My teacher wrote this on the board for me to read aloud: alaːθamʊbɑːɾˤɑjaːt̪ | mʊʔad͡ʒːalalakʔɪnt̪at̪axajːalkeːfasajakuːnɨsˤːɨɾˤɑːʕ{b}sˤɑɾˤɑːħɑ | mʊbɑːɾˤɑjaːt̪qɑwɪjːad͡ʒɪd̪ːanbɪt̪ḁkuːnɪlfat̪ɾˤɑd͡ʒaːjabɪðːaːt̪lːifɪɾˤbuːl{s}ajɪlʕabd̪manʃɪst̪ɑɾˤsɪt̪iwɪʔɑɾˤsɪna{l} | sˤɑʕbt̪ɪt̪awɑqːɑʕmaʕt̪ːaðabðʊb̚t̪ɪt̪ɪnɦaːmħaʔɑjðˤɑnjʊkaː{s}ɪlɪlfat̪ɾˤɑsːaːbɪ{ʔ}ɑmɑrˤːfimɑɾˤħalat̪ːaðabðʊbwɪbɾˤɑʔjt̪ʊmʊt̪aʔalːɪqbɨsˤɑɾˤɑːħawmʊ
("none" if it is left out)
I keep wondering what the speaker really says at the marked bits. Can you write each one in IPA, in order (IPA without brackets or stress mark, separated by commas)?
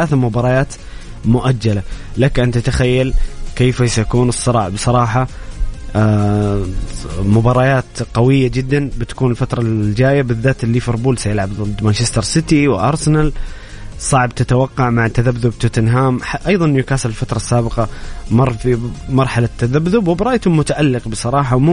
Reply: b, s, l, s, q